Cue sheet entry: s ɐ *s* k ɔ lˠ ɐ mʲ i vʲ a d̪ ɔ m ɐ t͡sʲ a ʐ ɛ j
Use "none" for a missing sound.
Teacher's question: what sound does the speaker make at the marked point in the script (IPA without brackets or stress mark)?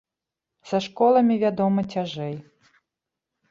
ʂ